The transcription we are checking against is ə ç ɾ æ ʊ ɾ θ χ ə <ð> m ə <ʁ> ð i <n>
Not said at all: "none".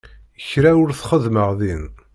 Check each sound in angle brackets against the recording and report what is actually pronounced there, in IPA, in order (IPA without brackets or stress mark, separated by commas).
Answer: ð, ʁ, n